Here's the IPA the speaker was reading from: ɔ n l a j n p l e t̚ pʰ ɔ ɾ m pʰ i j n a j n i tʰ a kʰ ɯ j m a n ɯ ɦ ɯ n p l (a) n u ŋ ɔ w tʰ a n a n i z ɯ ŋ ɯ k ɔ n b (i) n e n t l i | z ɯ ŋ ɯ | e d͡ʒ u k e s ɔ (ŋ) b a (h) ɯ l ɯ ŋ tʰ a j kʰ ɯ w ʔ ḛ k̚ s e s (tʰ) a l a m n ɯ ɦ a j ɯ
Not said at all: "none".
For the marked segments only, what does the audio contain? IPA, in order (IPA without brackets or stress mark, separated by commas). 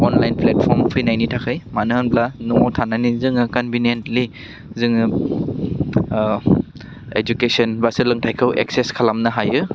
a, i, n, s, kʰ